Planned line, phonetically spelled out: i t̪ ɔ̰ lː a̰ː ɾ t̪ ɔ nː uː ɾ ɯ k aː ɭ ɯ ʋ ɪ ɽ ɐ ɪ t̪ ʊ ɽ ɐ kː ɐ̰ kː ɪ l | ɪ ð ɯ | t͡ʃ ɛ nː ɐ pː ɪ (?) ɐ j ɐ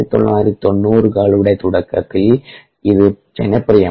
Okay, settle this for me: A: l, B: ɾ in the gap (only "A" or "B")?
B